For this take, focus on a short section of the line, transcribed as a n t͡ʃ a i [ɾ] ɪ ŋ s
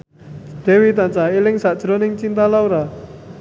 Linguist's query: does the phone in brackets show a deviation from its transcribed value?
yes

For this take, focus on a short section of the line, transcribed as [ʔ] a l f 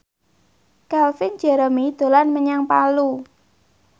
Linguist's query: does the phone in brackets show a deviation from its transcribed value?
yes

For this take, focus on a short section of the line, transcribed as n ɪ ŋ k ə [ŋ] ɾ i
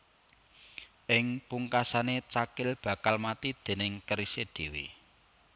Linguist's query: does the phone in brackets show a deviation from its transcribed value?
yes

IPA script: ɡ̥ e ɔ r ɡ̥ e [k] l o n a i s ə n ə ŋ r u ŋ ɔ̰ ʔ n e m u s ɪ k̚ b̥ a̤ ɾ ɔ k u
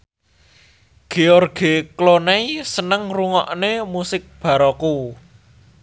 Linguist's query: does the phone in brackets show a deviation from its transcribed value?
no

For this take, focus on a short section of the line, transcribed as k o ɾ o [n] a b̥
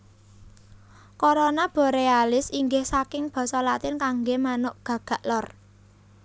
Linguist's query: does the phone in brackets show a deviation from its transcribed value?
no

